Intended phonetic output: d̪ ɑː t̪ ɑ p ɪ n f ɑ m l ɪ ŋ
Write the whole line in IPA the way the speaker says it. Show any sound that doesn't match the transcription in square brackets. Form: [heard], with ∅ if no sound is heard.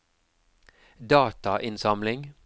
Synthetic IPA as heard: d̪ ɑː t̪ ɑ [ʔ] ɪ n [s] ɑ m l ɪ ŋ